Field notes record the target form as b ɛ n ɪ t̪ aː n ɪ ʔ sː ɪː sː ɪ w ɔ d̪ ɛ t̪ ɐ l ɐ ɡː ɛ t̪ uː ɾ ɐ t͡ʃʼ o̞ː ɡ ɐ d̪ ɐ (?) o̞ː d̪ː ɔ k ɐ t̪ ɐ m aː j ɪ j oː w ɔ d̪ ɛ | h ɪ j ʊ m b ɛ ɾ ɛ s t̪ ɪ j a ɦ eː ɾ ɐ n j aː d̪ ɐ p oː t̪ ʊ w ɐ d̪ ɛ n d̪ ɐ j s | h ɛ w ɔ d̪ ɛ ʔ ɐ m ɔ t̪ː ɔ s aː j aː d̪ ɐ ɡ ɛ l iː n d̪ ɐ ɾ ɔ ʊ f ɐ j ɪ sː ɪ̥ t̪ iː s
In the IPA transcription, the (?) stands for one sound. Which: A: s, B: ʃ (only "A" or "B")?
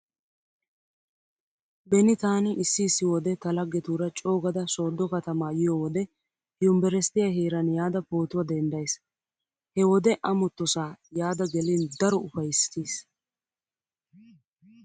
A